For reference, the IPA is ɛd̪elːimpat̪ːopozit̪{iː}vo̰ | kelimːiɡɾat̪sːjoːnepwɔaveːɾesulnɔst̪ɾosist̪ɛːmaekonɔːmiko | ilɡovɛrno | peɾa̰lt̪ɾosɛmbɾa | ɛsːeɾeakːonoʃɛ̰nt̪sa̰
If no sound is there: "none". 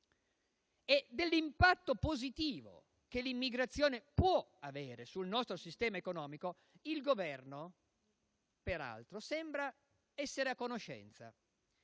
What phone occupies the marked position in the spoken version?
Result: iː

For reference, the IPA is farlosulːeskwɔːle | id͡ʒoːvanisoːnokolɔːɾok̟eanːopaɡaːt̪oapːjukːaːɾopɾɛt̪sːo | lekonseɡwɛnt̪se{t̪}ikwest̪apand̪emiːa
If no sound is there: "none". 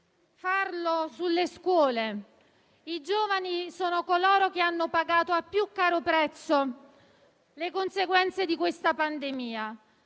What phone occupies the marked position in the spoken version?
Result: d̪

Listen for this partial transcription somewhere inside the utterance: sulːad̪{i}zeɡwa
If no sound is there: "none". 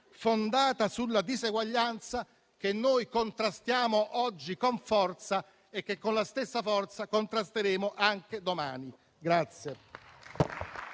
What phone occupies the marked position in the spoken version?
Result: i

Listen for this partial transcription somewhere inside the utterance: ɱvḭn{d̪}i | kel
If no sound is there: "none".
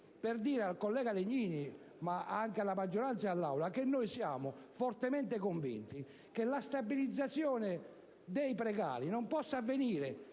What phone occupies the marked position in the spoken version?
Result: t̪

